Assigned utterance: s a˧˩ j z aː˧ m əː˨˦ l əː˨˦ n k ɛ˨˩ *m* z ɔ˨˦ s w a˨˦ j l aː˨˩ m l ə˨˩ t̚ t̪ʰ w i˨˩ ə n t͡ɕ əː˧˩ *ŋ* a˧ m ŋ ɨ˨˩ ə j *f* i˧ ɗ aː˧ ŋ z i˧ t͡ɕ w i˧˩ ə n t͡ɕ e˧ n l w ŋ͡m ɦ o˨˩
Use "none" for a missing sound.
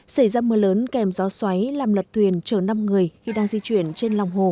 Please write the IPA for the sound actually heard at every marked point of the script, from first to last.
m, n, x

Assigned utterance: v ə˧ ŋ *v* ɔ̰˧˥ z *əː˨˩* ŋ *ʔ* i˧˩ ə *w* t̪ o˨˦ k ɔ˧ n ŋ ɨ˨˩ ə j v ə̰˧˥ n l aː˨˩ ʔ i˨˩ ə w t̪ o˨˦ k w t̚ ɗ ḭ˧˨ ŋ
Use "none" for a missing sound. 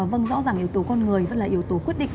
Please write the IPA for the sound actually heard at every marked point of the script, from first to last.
z, aː˨˩, ʔ, w

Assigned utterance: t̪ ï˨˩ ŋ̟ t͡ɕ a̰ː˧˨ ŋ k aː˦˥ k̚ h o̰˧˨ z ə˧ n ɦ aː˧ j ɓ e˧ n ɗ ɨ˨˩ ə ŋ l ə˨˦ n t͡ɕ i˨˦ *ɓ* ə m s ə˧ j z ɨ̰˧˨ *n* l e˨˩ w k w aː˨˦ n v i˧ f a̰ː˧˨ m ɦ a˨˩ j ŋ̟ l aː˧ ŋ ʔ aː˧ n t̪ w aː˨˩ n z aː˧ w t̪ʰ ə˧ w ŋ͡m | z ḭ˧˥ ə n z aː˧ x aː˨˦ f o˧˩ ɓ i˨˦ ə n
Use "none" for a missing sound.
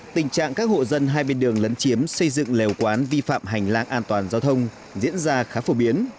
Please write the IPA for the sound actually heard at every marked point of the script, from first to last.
none, ŋ

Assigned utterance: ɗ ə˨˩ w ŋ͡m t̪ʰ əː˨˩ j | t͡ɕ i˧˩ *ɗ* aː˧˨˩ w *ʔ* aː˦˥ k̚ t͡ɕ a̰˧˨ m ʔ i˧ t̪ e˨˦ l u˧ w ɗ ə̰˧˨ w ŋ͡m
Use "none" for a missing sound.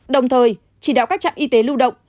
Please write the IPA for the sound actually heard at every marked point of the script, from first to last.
ɗ, k

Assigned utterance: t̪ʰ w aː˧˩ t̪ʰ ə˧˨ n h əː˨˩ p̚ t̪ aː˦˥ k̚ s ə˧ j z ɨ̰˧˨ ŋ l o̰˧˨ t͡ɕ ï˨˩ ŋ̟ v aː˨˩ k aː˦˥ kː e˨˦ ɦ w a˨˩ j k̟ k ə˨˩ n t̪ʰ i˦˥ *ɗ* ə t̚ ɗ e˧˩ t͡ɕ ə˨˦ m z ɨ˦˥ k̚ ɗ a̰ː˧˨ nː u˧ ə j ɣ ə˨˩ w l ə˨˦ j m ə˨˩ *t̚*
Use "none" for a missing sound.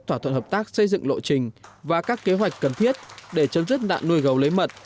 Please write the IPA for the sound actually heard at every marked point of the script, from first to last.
none, t̚

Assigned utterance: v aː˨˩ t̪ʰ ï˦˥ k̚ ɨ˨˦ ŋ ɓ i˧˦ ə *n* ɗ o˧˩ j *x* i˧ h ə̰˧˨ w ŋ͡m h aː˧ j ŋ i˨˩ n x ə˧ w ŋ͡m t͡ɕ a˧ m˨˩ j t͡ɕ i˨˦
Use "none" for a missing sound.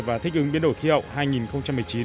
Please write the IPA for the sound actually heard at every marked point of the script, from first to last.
n, x

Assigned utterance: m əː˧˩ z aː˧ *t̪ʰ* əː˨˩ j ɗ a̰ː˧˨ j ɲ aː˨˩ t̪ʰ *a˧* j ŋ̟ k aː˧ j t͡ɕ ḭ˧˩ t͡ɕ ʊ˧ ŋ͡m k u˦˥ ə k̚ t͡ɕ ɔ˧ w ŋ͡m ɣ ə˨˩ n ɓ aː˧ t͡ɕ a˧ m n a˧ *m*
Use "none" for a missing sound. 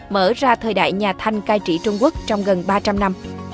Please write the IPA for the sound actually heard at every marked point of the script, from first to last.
t̪ʰ, a˧, m

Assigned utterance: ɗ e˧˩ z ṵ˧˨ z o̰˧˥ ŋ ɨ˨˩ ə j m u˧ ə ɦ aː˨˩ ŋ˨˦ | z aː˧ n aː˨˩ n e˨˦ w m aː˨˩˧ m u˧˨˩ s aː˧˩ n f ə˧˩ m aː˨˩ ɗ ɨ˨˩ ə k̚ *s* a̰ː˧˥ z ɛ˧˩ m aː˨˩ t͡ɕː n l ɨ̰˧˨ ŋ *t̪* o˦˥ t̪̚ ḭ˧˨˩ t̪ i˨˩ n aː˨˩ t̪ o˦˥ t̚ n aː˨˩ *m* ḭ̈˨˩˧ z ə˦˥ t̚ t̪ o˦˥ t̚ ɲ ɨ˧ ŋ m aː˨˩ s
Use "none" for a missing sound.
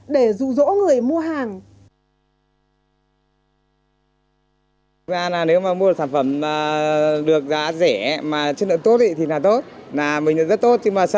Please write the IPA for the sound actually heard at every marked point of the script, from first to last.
z, t̪, m

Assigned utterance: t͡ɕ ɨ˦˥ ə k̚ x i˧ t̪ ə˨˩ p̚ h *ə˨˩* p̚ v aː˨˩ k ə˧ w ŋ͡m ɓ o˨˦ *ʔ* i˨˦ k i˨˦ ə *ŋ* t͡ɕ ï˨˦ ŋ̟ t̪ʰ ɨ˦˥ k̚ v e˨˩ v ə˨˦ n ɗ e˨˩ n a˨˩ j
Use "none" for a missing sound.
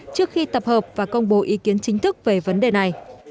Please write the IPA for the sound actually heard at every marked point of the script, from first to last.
əː˨˩, ʔ, n

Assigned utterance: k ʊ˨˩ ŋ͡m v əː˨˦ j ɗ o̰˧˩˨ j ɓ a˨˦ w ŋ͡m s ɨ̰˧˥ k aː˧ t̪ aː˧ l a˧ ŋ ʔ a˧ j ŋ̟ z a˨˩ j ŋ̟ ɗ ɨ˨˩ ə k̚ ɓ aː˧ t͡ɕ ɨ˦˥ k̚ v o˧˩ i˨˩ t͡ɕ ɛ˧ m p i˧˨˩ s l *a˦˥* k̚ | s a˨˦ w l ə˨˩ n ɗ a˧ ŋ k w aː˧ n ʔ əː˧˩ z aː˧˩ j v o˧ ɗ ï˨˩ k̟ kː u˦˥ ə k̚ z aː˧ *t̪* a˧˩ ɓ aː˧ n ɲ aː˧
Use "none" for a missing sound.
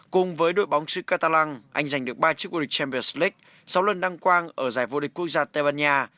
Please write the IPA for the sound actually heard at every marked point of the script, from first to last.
i˦˥, t̪

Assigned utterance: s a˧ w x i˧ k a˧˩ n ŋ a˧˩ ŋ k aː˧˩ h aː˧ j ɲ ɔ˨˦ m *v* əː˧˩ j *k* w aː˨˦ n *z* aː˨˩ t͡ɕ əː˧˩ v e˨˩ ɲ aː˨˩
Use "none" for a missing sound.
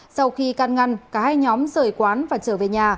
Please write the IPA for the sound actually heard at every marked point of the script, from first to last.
z, k, v

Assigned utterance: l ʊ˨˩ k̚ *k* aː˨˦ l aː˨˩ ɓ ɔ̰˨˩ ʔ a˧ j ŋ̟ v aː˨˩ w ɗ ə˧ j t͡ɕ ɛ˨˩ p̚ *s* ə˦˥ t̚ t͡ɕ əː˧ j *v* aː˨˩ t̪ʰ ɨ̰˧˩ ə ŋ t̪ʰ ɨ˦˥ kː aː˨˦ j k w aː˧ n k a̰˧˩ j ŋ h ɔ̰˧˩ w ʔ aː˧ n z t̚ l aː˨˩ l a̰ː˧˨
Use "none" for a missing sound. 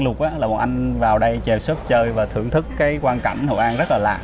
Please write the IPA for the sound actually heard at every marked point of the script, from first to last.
ʔ, s, v

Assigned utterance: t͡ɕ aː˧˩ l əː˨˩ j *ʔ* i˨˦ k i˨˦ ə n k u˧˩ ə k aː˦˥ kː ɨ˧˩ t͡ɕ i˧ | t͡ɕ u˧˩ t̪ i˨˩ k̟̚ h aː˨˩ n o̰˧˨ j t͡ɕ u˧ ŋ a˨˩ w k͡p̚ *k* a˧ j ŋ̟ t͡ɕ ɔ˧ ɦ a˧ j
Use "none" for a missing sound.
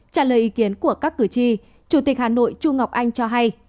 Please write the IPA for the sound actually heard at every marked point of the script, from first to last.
ʔ, ʔ

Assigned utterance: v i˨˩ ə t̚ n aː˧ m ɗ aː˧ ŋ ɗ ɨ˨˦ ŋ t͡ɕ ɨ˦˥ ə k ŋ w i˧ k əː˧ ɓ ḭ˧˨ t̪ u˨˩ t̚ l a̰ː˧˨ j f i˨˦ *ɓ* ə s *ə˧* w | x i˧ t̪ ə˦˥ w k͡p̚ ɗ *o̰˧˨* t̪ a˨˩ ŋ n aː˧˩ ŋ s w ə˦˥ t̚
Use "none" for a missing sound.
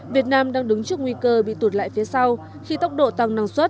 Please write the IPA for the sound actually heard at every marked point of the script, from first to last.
none, a˧, o̰˧˨

